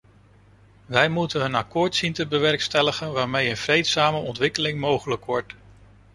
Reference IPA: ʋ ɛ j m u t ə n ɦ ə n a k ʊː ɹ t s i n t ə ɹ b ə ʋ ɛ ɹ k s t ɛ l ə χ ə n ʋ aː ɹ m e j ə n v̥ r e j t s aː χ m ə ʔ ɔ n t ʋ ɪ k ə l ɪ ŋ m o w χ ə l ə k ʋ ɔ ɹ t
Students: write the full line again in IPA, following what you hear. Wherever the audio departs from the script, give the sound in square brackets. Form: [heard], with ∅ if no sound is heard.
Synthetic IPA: ʋ ɛ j m u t ə n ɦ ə n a k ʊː ɹ t s i n t ə [∅] b ə ʋ ɛ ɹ k s t ɛ l ə χ ə n ʋ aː ɹ m e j ə n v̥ r e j t s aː [∅] m ə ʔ ɔ n t ʋ ɪ k ə l ɪ ŋ m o w χ ə l ə k ʋ ɔ ɹ t